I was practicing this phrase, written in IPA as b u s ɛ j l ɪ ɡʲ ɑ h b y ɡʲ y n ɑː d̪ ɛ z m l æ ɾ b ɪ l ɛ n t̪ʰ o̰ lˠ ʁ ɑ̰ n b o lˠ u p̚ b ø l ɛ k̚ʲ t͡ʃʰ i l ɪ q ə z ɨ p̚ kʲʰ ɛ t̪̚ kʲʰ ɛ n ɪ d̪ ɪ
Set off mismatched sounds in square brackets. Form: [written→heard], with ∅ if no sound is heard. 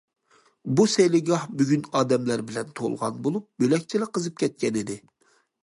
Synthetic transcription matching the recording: b u s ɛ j l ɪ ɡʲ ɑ h b y ɡʲ y n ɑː d̪ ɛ [z→∅] m l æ ɾ b ɪ l ɛ n t̪ʰ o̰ lˠ ʁ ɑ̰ n b o lˠ u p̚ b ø l ɛ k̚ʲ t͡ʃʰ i l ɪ q ə z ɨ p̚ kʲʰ ɛ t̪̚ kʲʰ ɛ n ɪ d̪ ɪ